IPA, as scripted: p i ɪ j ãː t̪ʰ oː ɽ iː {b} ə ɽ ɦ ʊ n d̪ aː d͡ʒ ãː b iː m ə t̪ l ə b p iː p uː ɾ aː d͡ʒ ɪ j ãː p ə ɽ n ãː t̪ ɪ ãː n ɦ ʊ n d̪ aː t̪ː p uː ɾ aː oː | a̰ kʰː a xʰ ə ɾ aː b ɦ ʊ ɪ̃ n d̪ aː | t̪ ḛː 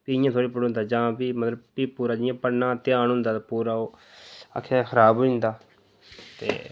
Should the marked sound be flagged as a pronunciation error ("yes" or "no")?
yes